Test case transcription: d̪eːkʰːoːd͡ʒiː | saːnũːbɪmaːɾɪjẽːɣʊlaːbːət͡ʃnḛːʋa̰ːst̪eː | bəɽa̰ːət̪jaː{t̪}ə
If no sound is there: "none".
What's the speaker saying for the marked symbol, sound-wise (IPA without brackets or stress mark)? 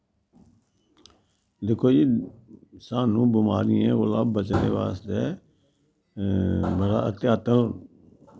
t̪